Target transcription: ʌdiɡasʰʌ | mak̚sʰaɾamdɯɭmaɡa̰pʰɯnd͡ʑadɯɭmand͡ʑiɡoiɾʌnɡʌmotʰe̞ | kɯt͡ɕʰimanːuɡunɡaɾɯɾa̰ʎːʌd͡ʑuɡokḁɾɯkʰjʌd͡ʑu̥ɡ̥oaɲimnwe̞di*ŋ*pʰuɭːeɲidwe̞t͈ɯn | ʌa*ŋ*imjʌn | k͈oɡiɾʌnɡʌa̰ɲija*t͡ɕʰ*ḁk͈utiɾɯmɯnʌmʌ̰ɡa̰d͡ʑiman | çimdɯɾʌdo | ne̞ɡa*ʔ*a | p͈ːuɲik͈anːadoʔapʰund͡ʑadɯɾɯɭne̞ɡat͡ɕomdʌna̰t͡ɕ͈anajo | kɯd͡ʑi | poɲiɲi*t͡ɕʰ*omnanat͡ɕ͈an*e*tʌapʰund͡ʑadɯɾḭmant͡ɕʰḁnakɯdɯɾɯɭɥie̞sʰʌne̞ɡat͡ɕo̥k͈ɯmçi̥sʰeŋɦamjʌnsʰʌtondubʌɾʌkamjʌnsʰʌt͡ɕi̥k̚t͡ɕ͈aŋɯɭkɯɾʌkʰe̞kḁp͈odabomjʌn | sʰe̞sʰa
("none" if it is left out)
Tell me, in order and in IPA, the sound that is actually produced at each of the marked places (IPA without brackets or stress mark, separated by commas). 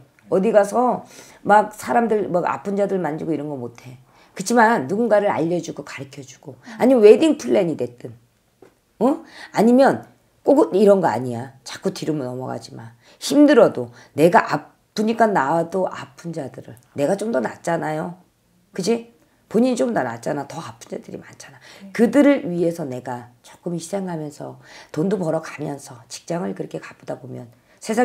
ŋ, ɲ, t͡ɕ, ʔ, t͡ɕ, a